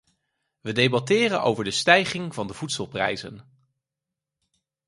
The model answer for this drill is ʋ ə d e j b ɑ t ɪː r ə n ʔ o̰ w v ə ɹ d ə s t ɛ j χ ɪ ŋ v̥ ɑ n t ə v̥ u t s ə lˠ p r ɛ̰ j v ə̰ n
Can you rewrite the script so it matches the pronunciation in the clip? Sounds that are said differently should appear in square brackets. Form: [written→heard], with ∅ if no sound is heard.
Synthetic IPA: ʋ ə d e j b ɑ t ɪː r ə n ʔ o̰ w v ə ɹ d ə s t ɛ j χ ɪ ŋ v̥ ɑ n [t→d] ə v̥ u t s ə lˠ p r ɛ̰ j [v→z] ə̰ n